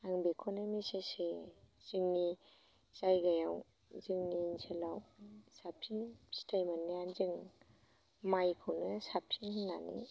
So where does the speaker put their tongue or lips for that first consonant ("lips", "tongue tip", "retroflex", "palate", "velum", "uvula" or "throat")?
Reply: velum